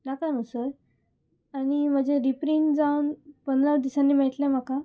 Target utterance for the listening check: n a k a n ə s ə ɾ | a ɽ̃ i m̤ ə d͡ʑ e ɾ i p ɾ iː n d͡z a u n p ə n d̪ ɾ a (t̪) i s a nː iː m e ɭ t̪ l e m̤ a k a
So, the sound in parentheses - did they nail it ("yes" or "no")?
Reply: no